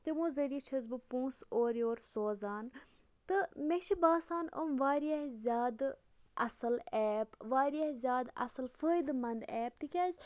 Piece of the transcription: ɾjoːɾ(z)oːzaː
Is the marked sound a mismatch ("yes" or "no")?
yes